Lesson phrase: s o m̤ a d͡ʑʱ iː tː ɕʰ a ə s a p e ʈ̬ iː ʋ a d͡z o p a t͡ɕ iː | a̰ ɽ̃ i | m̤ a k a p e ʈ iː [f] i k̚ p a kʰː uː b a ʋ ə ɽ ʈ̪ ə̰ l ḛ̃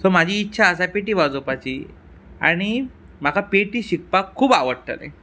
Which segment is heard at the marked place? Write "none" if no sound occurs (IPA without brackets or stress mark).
ɕ